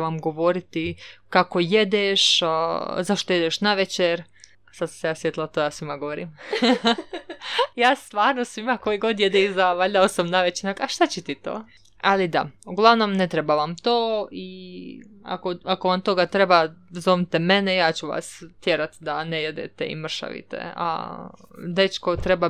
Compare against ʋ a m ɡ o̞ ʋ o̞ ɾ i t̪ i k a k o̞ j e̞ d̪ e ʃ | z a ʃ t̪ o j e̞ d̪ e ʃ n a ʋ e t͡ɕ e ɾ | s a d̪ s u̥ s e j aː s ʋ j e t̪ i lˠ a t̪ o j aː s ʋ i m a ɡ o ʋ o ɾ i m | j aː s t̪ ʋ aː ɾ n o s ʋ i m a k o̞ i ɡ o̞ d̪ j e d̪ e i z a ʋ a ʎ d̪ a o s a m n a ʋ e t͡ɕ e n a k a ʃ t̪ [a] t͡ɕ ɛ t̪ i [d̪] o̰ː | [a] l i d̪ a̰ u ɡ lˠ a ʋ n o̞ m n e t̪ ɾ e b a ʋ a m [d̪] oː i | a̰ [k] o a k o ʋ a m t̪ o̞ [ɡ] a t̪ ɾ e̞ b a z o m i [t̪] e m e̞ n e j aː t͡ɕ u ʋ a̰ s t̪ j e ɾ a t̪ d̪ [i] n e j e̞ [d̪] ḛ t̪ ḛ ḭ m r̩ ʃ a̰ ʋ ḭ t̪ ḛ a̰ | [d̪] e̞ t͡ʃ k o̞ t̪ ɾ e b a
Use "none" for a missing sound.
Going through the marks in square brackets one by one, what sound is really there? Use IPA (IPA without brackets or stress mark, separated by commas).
a, t̪, a, t̪, k, ɡ, t̪, a, d̪, d̪